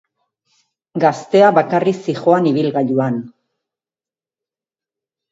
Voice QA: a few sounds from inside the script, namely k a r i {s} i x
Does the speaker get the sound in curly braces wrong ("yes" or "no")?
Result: no